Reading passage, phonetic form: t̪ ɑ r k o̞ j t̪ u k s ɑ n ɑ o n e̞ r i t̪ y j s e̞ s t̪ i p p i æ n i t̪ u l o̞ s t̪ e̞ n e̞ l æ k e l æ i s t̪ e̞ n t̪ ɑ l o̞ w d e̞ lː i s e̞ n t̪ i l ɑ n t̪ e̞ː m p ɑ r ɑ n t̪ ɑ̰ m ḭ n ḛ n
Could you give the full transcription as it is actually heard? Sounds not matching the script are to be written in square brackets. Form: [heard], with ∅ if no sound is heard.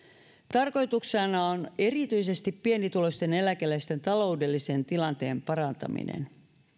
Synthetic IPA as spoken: t̪ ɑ r k o̞ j t̪ u k s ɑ n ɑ o n e̞ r i t̪ y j s e̞ s t̪ i p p i [e] n i t̪ u l o̞ s t̪ e̞ n e̞ l æ k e l æ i s t̪ e̞ n t̪ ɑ l o̞ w d e̞ lː i s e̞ n t̪ i l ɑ n t̪ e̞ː m p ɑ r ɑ n t̪ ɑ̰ m ḭ n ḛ n